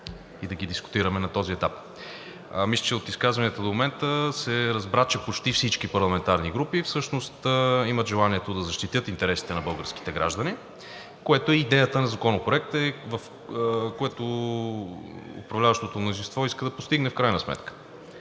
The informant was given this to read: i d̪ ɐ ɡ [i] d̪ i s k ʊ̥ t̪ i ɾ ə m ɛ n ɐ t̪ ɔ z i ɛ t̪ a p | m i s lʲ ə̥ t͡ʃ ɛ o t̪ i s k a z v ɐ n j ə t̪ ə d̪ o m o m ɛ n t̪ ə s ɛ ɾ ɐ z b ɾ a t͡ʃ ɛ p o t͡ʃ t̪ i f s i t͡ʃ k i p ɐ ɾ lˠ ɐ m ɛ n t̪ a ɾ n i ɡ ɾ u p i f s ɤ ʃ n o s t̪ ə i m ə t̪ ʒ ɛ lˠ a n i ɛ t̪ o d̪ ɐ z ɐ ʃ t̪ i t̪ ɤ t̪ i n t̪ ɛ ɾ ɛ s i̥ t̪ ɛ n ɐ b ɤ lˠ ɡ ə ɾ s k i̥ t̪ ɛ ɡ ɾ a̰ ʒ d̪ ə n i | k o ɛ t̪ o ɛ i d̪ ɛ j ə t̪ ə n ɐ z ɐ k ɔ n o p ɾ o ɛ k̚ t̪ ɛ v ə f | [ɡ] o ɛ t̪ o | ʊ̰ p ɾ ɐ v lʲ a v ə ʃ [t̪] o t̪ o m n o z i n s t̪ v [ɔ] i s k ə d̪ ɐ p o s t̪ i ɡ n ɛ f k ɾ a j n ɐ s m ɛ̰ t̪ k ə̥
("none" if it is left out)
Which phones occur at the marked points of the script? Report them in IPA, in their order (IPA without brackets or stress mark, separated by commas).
i, k, t̪, ɔ